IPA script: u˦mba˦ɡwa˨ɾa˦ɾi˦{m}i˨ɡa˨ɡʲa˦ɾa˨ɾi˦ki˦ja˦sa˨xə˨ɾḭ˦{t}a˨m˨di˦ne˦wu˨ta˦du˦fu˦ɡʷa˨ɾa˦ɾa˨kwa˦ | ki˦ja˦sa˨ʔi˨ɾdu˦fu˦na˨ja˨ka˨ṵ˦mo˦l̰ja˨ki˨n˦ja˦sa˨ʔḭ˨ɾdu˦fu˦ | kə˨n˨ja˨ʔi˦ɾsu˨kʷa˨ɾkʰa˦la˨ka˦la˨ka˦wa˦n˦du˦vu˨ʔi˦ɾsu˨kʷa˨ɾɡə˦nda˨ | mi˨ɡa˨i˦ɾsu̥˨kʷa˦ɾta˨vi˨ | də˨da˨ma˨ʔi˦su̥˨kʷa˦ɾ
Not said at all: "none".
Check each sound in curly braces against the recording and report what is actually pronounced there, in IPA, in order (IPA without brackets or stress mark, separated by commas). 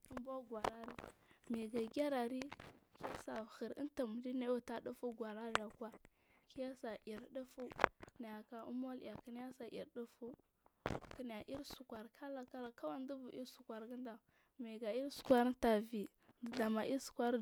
m, t